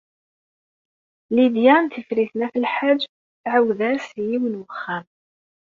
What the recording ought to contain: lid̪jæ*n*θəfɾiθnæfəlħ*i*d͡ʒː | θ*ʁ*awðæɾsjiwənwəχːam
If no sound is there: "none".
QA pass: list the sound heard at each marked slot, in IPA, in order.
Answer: n, a, ʕ

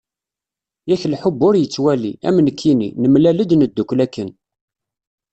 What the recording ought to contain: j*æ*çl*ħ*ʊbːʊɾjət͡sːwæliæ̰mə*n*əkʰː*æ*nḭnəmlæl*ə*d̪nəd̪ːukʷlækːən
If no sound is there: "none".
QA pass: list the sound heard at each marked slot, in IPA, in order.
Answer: æ, ħ, n, i, ə

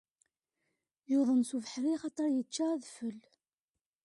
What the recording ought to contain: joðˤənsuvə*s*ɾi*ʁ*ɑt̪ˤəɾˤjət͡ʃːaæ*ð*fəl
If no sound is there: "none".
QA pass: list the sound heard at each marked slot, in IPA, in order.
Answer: ħ, χ, ð

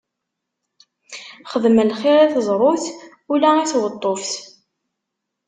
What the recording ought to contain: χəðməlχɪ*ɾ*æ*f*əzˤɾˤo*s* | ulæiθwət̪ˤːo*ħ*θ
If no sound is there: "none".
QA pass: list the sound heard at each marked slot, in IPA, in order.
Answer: ɾ, θ, θ, f

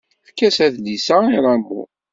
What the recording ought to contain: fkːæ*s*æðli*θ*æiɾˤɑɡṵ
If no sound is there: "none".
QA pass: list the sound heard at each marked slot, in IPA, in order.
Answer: s, s

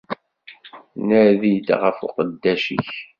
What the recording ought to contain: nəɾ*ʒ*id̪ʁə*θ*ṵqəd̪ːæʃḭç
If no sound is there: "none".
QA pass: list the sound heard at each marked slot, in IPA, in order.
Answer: ð, f

